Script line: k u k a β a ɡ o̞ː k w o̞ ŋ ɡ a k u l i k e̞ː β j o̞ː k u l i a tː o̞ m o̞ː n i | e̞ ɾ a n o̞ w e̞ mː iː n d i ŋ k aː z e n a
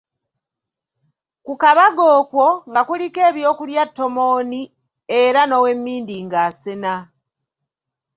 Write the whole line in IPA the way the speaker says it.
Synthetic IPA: k u k a β a ɡ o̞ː k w o̞ ŋ ɡ a k u l i k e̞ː β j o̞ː k u l j a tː o̞ m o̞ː n i | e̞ ɾ a n o̞ w e̞ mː iː n d i ŋ ɡ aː s e n a